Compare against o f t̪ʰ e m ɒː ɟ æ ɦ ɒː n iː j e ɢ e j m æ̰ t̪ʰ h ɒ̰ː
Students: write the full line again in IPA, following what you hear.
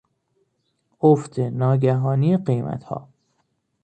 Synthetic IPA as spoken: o f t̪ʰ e n ɒː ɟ æ ɦ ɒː n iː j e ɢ e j m æ̰ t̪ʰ h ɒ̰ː